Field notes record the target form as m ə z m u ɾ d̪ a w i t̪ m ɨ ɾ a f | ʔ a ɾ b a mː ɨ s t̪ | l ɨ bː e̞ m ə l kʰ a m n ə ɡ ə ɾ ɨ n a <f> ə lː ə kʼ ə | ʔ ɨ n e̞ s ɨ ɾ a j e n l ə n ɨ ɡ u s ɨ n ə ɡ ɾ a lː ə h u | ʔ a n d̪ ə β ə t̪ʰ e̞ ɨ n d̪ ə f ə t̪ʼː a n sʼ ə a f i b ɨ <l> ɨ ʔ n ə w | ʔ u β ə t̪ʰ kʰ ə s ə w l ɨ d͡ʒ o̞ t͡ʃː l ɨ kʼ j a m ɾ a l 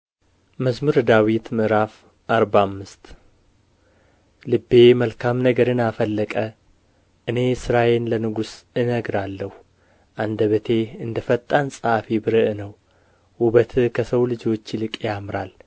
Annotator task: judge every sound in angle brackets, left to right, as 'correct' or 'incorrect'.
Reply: correct, incorrect

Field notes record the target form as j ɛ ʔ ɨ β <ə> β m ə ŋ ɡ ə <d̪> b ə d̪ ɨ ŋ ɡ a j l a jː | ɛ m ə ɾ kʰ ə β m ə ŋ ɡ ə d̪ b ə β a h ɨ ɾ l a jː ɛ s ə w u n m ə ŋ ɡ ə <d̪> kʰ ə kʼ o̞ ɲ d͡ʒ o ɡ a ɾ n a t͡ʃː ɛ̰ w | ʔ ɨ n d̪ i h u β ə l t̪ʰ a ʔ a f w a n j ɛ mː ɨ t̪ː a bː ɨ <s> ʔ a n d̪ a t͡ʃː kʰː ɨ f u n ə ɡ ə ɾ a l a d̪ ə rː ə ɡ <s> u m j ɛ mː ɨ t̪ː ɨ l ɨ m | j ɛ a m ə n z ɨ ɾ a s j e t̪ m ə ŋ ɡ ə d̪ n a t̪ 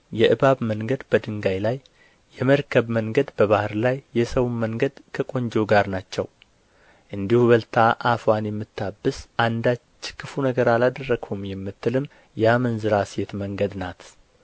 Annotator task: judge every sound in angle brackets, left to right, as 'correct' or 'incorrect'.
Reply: incorrect, correct, correct, correct, incorrect

